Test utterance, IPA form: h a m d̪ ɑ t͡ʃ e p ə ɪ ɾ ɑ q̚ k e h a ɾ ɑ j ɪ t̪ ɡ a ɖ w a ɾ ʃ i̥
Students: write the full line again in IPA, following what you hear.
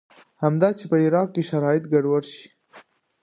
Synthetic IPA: h a m d̪ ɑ t͡ʃ e p ə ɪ ɾ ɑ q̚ k e ʃ a ɾ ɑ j ɪ t̪ ɡ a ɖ w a ɾ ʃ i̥